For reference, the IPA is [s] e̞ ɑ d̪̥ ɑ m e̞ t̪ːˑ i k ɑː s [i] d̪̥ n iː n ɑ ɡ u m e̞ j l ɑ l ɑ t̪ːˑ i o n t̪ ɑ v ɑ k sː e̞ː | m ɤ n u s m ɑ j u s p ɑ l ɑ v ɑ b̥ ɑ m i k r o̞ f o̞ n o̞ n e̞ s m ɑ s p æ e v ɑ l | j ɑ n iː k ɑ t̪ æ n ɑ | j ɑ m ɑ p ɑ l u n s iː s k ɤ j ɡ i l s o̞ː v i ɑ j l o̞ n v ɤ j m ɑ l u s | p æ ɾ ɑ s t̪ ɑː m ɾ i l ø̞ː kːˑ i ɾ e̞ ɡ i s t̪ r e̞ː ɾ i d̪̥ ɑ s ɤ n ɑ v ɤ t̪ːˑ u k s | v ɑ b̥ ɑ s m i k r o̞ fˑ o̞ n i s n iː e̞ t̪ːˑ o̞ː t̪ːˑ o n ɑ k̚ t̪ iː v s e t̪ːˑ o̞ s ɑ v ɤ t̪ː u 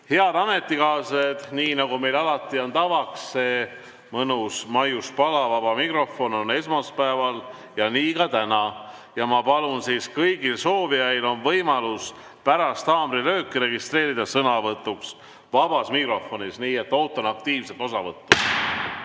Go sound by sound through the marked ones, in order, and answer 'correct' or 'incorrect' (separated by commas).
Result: incorrect, incorrect